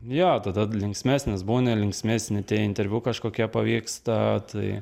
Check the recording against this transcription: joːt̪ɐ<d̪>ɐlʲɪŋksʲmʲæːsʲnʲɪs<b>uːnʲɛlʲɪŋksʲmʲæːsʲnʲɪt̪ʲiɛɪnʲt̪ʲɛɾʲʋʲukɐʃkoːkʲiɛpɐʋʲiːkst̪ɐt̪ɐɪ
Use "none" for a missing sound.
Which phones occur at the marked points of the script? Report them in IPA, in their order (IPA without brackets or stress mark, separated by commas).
d̪, b